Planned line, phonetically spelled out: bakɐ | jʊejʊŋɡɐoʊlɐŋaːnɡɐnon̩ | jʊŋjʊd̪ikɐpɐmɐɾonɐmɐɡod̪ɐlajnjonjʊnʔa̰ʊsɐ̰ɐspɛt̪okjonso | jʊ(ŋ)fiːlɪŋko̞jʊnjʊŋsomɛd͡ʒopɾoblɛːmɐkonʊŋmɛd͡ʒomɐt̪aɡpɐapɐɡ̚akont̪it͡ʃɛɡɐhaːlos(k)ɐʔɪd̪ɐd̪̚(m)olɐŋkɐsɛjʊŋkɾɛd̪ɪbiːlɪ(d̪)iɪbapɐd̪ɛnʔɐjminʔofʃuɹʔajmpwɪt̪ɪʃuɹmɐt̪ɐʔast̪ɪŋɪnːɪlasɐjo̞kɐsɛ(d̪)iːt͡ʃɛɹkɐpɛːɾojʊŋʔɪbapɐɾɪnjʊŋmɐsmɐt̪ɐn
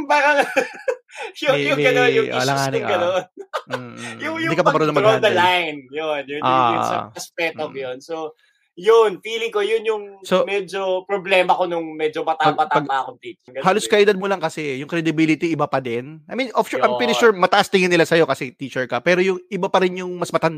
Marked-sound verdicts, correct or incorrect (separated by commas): incorrect, correct, correct, incorrect, incorrect